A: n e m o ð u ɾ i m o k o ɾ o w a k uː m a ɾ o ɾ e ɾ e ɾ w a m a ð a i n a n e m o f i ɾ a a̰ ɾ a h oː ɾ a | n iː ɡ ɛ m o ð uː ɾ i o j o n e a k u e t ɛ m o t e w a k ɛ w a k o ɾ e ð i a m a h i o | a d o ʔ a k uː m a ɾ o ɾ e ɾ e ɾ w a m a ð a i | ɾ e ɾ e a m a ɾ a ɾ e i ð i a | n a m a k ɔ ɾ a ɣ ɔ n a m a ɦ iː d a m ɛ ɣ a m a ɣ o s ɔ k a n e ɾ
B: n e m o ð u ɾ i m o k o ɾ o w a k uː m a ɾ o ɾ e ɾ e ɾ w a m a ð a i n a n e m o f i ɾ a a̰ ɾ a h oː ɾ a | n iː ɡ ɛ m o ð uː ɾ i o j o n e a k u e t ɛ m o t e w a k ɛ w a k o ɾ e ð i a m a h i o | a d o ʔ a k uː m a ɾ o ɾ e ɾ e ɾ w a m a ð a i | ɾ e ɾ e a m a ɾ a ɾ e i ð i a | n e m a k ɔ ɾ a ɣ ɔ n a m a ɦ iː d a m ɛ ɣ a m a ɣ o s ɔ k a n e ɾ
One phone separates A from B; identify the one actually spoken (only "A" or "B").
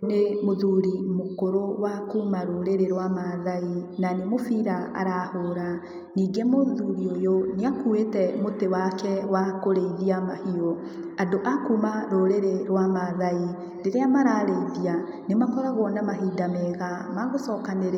B